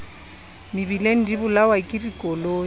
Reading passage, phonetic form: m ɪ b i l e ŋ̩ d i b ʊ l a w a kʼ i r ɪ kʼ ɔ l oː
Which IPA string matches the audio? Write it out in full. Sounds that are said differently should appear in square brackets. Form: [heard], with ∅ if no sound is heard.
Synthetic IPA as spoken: m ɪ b i l e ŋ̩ d i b ʊ l a w a kʼ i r [i] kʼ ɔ l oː